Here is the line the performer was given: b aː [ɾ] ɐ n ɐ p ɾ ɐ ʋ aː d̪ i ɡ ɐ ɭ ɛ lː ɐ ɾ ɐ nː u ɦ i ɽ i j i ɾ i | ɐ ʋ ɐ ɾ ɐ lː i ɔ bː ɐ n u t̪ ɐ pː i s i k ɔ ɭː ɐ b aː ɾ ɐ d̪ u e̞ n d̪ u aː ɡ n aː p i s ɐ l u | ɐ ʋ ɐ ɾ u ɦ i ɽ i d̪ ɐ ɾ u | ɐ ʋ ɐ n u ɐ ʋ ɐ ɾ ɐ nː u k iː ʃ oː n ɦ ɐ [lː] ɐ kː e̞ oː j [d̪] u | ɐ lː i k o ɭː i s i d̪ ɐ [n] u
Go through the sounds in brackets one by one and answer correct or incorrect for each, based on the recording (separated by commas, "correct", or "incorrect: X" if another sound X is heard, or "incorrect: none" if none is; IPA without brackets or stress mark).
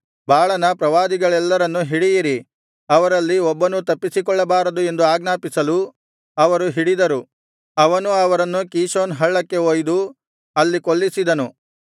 incorrect: ɭ, incorrect: ɭː, correct, correct